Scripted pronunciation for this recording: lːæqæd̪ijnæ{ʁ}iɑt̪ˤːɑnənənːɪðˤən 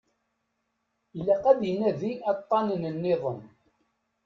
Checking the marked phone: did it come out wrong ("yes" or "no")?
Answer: yes